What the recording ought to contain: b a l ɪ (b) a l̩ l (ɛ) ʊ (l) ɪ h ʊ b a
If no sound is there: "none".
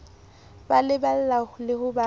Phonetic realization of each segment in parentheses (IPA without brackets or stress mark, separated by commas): b, a, l